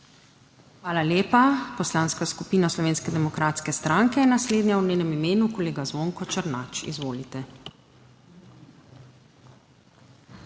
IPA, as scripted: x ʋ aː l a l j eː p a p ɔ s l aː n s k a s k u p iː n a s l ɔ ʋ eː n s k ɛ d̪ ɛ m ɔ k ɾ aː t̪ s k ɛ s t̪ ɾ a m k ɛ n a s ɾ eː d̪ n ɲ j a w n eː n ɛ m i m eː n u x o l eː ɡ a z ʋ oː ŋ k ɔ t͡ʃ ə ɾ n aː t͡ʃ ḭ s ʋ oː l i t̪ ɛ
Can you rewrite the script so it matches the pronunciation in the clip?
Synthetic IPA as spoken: x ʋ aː l a l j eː p a p ɔ s l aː n s k a s k u p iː n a s l ɔ ʋ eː n s k ɛ d̪ ɛ m ɔ k ɾ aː t̪ s k ɛ s t̪ ɾ a ŋ k ɛ n a s l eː d̪ n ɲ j a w n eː n ɛ m i m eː n u k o l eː ɡ a z ʋ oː ŋ k ɔ t͡ʃ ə ɾ n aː t͡ʃ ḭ z ʋ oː l i t̪ ɛ